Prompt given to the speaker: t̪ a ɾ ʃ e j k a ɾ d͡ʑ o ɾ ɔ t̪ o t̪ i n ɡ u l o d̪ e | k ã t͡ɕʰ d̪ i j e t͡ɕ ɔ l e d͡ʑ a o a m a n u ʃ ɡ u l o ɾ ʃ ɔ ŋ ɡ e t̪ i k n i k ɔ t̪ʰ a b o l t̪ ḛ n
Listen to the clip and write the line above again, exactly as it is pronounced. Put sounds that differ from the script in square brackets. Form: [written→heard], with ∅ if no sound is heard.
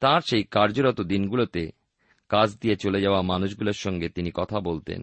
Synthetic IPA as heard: t̪ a ɾ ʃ e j k a ɾ d͡ʑ o ɾ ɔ t̪ o [t̪→d̪] i n ɡ u l o [d̪→t̪] e | k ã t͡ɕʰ d̪ i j e t͡ɕ [ɔ→o] l e d͡ʑ a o a m a n u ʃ ɡ u l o ɾ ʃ ɔ ŋ ɡ e t̪ i [k→∅] n i k ɔ t̪ʰ a b o l t̪ ḛ n